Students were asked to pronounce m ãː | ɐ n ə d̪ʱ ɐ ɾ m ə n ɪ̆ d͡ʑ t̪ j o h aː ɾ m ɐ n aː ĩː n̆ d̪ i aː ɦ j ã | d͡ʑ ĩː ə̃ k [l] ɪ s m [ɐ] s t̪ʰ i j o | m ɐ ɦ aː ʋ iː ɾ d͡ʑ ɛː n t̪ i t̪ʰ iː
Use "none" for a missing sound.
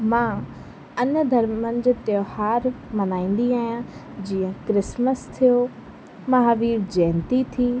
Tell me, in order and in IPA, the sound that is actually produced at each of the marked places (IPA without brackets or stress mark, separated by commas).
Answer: ɾ, ə